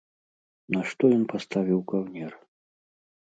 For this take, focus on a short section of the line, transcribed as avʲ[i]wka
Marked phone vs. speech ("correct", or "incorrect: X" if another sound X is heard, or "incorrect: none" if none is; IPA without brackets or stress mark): correct